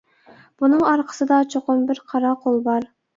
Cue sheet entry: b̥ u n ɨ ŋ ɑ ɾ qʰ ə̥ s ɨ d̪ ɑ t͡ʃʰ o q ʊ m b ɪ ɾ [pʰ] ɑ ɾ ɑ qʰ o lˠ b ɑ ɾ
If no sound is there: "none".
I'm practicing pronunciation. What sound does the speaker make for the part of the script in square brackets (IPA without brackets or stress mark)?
qʰ